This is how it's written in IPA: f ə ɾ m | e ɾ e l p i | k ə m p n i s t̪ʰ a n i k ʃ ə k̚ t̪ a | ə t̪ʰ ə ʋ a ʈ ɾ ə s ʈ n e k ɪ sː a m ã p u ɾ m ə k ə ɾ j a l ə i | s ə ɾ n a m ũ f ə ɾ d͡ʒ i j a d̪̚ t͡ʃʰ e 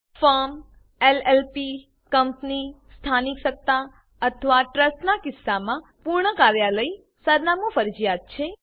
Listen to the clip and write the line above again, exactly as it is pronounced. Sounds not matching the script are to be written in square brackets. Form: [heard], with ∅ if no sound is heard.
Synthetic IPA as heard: f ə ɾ m | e [l] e l p i | k ə m p n i s t̪ʰ a n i k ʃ ə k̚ t̪ a | ə t̪ʰ ə ʋ a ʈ ɾ ə s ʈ n [a] k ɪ sː a m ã p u ɾ [ɳ] ə k [a] ɾ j a l ə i | s ə ɾ n a m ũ f ə ɾ d͡ʒ i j a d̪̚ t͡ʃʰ e